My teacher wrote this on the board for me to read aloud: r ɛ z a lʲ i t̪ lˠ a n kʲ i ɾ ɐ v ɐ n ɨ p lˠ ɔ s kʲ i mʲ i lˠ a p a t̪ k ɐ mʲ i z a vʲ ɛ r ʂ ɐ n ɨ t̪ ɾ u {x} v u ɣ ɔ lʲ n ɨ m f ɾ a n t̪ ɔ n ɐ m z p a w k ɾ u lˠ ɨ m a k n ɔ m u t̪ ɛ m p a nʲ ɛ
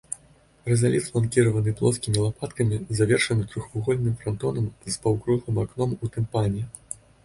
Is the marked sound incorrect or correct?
correct